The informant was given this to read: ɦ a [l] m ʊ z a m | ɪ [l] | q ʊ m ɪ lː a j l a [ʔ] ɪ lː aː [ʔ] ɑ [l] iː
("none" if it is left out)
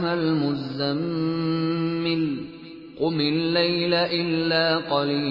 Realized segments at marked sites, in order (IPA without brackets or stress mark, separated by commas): l, l, ʔ, q, l